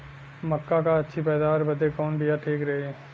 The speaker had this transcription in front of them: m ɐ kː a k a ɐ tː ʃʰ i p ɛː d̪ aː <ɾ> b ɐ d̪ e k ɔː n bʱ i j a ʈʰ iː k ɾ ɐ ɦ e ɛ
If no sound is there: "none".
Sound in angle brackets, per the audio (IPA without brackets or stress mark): ɾ